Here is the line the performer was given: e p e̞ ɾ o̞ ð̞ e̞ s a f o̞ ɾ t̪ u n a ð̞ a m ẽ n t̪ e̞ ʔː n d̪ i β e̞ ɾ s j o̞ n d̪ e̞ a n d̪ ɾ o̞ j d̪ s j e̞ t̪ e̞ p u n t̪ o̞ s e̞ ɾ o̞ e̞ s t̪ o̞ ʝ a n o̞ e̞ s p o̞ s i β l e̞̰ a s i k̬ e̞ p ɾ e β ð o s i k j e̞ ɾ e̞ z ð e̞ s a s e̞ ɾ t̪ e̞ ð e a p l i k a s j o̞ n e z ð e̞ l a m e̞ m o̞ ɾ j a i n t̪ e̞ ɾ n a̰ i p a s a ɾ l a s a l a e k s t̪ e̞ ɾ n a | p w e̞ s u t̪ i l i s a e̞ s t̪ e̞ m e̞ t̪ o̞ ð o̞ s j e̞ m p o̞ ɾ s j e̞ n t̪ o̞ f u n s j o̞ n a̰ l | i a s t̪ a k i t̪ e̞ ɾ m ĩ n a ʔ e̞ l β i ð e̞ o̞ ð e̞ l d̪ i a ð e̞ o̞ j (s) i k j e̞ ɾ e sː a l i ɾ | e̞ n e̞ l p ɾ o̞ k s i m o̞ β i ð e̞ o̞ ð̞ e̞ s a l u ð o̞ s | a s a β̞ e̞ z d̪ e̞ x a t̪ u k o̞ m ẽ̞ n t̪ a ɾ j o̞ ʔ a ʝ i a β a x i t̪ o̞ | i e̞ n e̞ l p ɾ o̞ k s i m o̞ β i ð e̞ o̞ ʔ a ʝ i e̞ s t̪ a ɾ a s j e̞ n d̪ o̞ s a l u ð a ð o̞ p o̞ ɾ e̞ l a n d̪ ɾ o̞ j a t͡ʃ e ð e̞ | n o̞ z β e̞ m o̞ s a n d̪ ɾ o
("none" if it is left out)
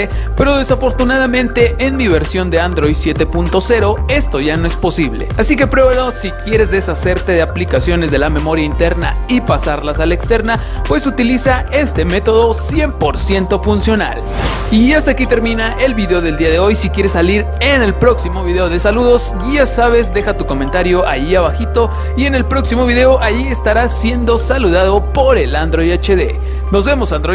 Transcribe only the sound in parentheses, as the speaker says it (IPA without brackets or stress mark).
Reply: s